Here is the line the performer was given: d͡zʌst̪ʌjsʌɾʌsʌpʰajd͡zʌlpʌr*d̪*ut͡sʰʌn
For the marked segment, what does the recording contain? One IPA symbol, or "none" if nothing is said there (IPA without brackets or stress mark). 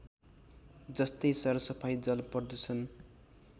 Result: d̪